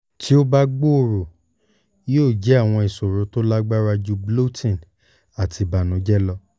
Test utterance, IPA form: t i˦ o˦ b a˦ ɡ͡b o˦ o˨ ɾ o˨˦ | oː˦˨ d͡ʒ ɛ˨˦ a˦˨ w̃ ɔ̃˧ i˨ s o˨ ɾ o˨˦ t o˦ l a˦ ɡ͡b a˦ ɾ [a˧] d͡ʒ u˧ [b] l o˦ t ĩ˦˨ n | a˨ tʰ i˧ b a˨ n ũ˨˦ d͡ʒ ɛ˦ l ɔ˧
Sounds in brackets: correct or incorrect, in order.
correct, correct

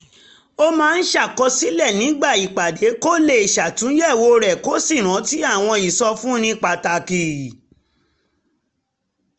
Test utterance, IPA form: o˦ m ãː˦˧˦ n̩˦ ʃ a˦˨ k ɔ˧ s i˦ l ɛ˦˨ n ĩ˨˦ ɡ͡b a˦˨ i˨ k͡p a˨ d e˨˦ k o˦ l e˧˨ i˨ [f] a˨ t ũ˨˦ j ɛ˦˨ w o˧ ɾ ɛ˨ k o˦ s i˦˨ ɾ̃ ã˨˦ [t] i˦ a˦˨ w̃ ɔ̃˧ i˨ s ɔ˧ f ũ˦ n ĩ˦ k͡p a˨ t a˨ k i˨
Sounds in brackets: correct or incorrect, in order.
incorrect: ʃ, correct

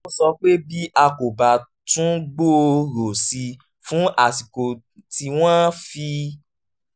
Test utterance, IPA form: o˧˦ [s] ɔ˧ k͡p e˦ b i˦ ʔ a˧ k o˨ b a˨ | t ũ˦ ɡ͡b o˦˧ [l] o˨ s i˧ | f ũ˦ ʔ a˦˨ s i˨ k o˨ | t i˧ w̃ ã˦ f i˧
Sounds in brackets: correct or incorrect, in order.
correct, incorrect: ɾ

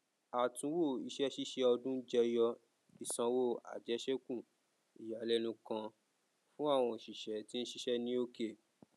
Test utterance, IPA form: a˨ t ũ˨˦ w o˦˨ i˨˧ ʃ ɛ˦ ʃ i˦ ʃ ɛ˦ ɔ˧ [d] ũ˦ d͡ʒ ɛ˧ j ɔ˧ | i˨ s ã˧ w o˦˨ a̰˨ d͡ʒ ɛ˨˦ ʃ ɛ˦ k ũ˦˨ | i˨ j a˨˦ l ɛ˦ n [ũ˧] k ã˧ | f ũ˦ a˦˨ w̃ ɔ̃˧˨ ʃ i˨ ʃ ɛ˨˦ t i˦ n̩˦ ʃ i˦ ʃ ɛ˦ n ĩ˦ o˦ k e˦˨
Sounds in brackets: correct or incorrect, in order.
correct, correct

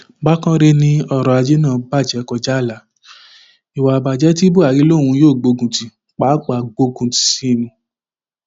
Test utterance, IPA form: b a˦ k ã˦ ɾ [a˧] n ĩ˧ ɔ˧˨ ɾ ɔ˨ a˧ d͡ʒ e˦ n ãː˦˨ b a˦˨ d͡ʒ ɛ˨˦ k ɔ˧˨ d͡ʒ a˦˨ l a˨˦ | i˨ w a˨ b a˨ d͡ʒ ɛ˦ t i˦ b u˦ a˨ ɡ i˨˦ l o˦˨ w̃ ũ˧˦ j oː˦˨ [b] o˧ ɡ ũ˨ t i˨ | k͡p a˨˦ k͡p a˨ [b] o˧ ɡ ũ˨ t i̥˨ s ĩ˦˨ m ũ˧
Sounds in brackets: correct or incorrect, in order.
incorrect: e˧, incorrect: ɡ͡b, incorrect: ɡ͡b

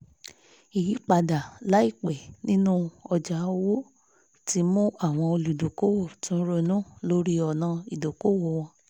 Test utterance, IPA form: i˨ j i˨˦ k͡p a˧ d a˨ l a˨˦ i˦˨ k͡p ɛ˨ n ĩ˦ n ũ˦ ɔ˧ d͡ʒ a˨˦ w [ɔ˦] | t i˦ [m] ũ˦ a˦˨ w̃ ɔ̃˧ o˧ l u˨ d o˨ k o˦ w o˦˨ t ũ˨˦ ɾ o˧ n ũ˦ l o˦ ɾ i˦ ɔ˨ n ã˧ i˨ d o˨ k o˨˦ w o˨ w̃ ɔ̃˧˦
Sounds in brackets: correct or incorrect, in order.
incorrect: o˦, correct

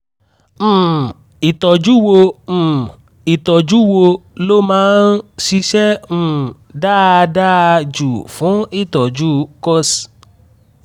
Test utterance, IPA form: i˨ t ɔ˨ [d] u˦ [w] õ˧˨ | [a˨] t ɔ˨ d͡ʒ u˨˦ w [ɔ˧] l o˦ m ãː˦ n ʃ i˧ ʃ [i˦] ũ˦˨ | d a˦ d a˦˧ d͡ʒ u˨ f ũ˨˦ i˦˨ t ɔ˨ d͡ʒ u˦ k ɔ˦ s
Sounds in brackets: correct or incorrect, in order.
incorrect: d͡ʒ, correct, incorrect: i˨, incorrect: o˧, incorrect: ɛ˦

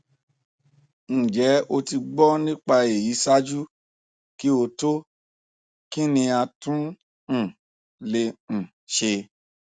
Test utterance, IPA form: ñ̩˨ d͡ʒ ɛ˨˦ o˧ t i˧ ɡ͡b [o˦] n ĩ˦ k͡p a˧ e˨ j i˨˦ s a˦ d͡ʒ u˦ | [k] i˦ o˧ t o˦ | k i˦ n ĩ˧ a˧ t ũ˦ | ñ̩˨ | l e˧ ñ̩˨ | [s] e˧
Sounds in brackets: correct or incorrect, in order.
incorrect: ɔ˦, correct, incorrect: ʃ

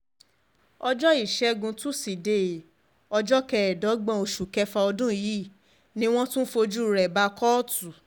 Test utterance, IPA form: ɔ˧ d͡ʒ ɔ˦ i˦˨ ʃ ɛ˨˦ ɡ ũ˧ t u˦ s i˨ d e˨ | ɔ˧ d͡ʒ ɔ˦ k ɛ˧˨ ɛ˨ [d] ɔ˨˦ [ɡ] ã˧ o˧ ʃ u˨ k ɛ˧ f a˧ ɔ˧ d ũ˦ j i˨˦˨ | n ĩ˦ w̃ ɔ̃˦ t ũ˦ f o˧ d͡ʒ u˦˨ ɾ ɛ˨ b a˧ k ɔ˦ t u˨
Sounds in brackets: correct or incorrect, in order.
correct, incorrect: ɡ͡b

